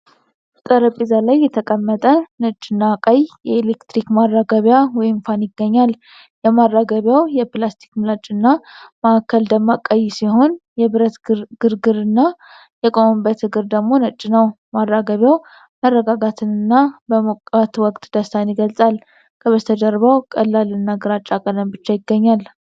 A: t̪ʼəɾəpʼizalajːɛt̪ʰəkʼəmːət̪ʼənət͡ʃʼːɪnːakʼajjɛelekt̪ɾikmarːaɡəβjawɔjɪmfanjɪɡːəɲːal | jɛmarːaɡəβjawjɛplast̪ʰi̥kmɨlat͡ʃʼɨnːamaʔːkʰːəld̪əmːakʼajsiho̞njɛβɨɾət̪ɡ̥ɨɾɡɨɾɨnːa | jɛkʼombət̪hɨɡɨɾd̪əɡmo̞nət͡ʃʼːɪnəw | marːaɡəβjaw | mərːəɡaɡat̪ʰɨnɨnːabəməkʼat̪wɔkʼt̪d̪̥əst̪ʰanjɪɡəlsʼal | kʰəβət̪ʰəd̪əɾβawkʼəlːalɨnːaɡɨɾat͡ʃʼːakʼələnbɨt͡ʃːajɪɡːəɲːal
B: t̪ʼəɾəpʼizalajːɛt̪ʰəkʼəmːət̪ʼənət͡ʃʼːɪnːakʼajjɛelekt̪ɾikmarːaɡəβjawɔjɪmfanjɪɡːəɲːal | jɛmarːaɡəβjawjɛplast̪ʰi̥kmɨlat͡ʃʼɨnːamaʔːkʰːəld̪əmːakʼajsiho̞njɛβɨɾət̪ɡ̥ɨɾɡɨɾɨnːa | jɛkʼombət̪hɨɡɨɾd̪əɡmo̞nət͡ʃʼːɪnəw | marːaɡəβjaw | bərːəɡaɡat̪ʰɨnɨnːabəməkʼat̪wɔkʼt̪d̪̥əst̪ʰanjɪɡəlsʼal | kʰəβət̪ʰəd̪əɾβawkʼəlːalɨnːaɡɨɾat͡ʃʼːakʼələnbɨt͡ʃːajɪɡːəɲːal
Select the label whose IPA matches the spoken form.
A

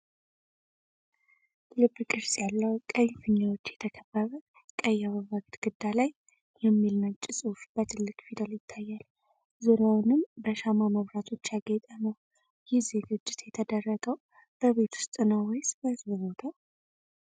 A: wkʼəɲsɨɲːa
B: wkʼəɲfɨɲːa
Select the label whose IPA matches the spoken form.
B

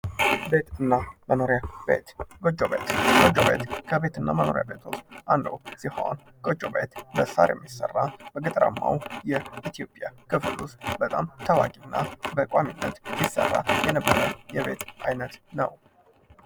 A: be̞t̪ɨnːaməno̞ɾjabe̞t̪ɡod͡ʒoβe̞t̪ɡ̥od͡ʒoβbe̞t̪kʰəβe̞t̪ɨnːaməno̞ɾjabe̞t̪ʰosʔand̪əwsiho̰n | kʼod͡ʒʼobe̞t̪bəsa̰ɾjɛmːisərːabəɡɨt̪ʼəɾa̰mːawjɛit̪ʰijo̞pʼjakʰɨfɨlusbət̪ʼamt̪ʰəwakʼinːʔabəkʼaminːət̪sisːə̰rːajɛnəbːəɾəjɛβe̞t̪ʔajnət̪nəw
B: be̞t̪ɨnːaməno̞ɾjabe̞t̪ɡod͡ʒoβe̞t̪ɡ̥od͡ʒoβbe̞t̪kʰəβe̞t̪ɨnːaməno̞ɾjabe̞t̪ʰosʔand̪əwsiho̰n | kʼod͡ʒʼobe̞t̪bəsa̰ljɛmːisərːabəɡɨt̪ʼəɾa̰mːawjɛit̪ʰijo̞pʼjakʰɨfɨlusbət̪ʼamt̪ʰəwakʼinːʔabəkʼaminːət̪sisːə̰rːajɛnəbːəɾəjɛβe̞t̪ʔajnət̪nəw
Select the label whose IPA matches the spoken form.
A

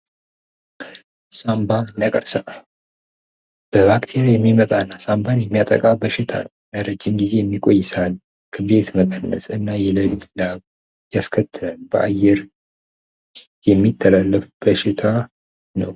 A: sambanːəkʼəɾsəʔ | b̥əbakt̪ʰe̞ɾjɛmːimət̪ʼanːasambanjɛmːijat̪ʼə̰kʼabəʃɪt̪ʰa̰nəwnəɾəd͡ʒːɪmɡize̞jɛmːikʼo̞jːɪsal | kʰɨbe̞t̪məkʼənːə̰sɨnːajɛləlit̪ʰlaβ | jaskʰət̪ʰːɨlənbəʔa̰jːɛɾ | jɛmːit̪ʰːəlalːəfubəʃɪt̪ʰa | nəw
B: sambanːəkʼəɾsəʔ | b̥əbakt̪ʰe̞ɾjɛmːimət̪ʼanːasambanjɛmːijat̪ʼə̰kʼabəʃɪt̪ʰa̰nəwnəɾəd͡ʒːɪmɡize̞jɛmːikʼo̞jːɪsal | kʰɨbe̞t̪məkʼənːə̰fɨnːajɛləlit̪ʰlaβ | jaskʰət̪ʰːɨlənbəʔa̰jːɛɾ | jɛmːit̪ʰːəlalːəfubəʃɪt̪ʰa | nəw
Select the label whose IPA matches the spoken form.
A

